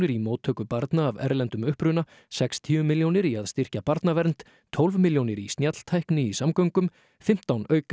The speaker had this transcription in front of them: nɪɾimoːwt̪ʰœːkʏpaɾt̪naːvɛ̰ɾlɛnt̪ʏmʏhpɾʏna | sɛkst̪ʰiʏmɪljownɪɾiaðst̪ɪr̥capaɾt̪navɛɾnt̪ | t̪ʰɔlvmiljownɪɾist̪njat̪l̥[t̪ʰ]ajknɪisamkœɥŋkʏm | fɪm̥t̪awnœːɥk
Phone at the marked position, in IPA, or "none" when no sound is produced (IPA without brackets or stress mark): t̪ʰ